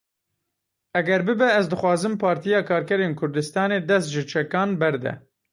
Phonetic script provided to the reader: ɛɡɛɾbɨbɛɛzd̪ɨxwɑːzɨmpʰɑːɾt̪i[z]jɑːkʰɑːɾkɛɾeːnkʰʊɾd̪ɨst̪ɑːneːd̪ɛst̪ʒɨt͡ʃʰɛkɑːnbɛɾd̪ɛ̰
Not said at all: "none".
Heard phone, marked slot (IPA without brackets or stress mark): none